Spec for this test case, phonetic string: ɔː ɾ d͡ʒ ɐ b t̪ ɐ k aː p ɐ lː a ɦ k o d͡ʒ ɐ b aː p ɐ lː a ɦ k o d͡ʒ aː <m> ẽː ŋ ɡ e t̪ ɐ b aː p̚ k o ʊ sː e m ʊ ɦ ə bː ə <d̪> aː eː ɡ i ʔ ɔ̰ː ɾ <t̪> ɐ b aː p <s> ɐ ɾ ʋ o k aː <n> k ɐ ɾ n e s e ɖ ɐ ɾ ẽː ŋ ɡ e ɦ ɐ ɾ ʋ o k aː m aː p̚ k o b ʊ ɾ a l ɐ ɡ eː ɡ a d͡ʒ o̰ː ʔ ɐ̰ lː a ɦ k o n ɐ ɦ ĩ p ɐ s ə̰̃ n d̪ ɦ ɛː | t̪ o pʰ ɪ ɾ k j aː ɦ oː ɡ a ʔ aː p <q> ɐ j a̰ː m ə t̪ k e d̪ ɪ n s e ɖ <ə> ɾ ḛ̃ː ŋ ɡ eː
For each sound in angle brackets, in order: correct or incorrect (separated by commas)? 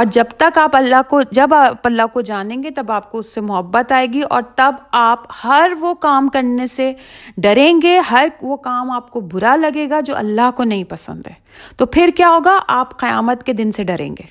incorrect, incorrect, correct, incorrect, incorrect, correct, incorrect